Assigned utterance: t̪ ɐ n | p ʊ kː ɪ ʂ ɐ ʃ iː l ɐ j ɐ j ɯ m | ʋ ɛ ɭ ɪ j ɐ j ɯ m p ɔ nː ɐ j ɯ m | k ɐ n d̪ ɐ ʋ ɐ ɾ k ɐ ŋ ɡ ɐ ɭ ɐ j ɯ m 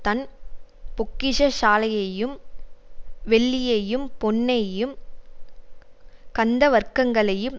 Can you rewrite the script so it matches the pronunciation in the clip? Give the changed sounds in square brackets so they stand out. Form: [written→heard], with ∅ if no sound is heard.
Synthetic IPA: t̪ ɐ n | p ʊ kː ɪ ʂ ɐ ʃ [iː→aː] l ɐ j ɐ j ɯ m | ʋ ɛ [ɭ→ɭː] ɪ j ɐ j ɯ m p ɔ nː ɐ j ɯ m | k ɐ n d̪ ɐ ʋ ɐ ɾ k ɐ ŋ ɡ ɐ ɭ ɐ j ɯ m